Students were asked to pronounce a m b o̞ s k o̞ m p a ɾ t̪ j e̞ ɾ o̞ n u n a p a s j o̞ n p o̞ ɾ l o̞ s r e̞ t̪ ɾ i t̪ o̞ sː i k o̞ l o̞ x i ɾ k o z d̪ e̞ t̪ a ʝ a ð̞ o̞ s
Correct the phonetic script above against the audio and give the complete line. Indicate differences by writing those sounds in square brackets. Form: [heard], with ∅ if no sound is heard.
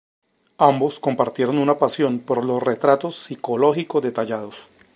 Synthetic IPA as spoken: a m b o̞ s k o̞ m p a ɾ t̪ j e̞ ɾ o̞ n u n a p a s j o̞ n p o̞ ɾ l o̞ s r e̞ t̪ ɾ [a] t̪ o̞ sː i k o̞ l o̞ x i [∅] k o z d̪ e̞ t̪ a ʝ a ð̞ o̞ s